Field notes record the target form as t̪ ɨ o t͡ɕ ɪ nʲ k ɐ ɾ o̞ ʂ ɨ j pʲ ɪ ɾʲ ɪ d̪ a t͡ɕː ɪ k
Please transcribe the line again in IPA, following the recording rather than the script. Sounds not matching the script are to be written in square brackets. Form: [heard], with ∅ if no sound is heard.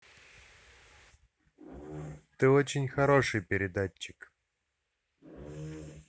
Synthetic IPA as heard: t̪ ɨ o t͡ɕ ɪ nʲ [x] ɐ ɾ o̞ ʂ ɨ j pʲ ɪ ɾʲ ɪ d̪ a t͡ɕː ɪ k